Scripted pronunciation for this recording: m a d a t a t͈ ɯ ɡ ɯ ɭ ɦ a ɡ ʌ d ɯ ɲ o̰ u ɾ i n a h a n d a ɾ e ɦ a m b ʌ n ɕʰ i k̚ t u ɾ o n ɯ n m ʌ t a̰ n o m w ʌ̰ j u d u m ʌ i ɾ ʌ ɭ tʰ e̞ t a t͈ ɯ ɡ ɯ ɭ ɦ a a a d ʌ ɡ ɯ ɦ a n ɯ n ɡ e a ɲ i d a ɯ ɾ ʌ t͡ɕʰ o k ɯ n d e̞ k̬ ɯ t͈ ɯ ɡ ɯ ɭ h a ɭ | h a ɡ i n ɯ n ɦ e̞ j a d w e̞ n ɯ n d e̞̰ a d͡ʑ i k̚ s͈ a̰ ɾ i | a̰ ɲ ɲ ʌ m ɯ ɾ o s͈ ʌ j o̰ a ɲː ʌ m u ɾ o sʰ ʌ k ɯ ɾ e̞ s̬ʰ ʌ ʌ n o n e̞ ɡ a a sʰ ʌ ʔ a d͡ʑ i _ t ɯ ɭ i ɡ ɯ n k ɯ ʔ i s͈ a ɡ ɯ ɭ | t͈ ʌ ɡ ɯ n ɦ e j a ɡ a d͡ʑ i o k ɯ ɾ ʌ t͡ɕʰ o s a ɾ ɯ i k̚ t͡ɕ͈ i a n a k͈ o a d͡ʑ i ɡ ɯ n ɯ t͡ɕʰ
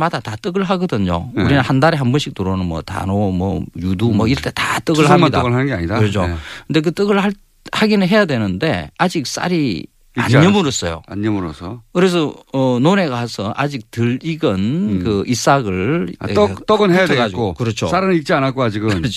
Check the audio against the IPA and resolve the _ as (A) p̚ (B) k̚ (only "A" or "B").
B